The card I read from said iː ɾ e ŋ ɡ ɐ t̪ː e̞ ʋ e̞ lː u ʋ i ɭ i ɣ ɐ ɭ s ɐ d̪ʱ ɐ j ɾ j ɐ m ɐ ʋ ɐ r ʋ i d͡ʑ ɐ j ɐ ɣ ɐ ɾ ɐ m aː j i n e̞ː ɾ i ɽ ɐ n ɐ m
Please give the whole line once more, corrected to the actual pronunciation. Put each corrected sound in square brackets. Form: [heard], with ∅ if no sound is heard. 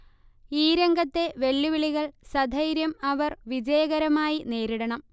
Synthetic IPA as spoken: iː ɾ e ŋ ɡ ɐ t̪ː e̞ ʋ e̞ lː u ʋ i ɭ i ɣ ɐ ɭ s ɐ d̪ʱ ɐ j ɾ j ɐ m ɐ ʋ ɐ r ʋ i d͡ʑ ɐ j ɐ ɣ ɐ ɾ ɐ m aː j i n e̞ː ɾ i ɽ ɐ [ɳ] ɐ m